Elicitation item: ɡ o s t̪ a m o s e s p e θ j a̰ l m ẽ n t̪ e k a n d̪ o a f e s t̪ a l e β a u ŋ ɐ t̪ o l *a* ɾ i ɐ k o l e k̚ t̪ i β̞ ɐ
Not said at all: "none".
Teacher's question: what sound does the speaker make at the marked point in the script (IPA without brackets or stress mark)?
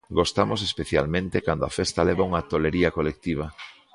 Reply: e